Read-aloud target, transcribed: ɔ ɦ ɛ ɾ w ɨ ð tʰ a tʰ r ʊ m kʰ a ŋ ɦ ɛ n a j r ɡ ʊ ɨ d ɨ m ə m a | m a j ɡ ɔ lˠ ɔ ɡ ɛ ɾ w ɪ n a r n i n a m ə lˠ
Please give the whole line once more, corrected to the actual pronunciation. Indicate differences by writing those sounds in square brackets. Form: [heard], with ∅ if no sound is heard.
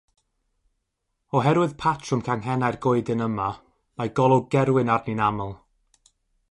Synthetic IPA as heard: ɔ ɦ ɛ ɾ w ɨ ð [pʰ] a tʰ r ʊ m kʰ a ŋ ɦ ɛ n a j r ɡ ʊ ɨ d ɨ [n] ə m a | m a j ɡ ɔ lˠ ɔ ɡ ɛ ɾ w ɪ n a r n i n a m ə lˠ